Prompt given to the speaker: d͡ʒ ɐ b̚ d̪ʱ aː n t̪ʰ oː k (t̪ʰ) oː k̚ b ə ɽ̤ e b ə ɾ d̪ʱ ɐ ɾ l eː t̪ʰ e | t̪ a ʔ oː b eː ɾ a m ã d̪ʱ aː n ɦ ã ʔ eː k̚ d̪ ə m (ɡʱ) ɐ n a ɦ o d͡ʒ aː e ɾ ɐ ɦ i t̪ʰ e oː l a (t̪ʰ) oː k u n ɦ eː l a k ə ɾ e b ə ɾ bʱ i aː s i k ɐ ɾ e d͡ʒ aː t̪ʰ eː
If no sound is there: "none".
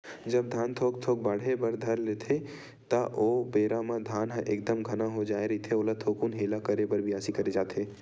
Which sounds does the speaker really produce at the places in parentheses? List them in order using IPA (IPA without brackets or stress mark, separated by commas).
t̪ʰ, ɡʱ, t̪ʰ